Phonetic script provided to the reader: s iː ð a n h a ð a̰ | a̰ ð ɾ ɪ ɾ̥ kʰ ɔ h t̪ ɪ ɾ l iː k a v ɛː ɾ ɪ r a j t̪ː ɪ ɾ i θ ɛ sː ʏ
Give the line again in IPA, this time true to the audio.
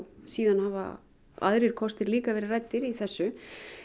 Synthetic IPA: s iː ð a n h a v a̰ | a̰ ð ɾ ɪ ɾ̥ kʰ ɔ s t̪ ɪ ɾ l iː k a v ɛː ɾ ɪ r a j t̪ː ɪ ɾ i θ ɛ sː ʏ